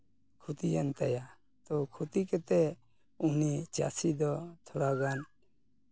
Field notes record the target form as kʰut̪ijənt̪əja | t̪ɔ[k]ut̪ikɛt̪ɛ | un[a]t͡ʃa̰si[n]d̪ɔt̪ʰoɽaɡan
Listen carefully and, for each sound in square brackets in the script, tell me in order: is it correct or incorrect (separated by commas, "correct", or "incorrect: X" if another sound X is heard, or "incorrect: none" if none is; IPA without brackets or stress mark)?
incorrect: kʰ, incorrect: i, incorrect: none